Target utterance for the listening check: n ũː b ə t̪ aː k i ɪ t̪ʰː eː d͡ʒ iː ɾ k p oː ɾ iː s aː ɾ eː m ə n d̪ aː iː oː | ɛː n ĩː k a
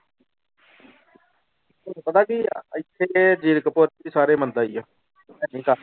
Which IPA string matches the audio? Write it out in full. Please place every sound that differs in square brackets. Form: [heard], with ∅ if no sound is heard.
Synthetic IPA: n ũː [p] ə t̪ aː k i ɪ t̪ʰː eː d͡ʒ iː ɾ k p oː ɾ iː s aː ɾ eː m ə n d̪ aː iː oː | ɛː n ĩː k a